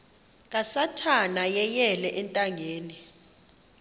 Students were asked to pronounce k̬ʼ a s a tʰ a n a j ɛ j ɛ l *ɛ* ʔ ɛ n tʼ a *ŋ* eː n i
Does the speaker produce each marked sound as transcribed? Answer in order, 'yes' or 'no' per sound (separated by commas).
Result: yes, yes